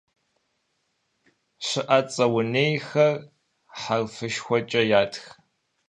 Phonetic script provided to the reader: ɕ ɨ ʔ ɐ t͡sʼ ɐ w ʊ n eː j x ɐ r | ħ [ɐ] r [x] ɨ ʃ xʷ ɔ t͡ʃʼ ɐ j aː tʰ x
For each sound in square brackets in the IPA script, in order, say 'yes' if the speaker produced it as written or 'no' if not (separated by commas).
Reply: no, no